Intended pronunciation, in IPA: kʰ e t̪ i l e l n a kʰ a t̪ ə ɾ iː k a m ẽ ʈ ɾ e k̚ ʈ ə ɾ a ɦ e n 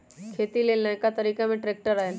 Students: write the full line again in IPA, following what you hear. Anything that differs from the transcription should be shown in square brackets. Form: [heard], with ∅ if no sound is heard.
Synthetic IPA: kʰ e t̪ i l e l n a [k] a t̪ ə ɾ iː k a m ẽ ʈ ɾ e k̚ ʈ ə ɾ a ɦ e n